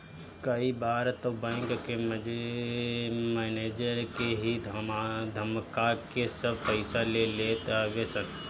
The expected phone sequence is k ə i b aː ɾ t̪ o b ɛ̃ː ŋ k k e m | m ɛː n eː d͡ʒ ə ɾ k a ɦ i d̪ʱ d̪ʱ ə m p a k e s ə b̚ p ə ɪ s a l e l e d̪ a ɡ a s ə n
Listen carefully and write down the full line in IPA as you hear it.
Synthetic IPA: k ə i b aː ɾ t̪ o b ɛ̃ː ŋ k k e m | m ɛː n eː d͡ʒ ə ɾ k e ɦ i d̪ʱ d̪ʱ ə m k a k e s ə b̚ p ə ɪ s a l e l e t̪ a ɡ e s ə n